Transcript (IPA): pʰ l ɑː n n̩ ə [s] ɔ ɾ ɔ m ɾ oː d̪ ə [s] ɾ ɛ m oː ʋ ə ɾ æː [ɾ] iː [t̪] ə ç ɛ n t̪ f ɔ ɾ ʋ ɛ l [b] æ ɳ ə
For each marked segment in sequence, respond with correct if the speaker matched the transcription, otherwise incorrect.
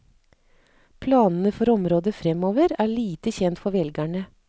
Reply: incorrect, incorrect, incorrect, correct, incorrect

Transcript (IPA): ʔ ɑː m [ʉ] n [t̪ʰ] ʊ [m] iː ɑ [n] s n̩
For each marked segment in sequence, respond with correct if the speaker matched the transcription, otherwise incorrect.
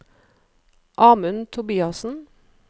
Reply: correct, correct, incorrect, incorrect

